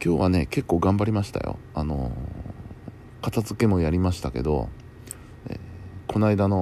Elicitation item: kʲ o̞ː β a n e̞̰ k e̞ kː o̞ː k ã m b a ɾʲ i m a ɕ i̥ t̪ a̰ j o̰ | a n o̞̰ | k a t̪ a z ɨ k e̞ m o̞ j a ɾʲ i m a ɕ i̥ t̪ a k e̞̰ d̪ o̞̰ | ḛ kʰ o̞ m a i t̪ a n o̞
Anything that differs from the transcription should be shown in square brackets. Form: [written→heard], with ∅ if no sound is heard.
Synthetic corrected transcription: kʲ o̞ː β a n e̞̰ k e̞ kː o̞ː [k→ɡ] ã m b a ɾʲ i m a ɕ i̥ t̪ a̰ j o̰ | a n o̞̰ | k a t̪ a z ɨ k e̞ m o̞ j a ɾʲ i m a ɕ i̥ t̪ a k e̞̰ d̪ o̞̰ | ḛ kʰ o̞ [m→n] a i [t̪→d̪] a n o̞